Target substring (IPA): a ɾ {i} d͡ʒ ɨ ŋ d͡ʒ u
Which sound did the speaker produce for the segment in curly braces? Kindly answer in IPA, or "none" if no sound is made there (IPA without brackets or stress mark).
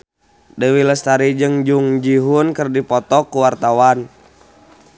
i